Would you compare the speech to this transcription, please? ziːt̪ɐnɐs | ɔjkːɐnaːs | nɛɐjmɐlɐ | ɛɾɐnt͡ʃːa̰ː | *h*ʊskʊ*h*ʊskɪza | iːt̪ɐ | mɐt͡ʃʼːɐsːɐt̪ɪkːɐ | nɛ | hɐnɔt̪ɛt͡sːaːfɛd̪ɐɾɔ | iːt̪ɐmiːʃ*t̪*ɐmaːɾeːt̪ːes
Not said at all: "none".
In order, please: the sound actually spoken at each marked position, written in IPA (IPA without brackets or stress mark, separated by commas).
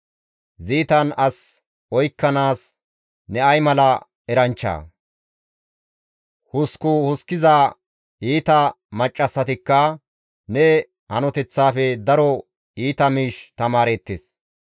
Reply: h, h, t̪